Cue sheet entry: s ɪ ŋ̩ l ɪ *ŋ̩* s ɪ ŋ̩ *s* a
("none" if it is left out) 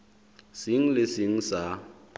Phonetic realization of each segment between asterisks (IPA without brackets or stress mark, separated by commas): none, s